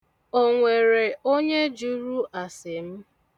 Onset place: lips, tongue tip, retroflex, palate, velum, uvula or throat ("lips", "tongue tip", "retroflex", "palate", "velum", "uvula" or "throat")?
velum